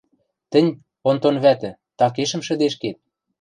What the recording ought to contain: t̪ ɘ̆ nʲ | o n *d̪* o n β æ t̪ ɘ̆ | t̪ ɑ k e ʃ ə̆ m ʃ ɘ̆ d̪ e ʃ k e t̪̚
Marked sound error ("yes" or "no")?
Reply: yes